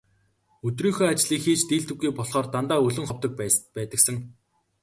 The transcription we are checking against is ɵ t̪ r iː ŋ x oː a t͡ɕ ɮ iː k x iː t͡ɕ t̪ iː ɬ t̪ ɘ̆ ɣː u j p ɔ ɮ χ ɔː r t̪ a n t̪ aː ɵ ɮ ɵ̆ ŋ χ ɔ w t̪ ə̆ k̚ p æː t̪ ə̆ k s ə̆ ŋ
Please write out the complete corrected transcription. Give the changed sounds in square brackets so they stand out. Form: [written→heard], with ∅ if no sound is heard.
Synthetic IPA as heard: ɵ t̪ r iː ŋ x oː a t͡ɕ ɮ iː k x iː t͡ɕ t̪ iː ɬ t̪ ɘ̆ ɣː u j p ɔ ɮ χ ɔː r t̪ a n t̪ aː ɵ ɮ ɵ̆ ŋ χ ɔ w t̪ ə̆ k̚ p æː t̪ ə̆ k s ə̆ ŋ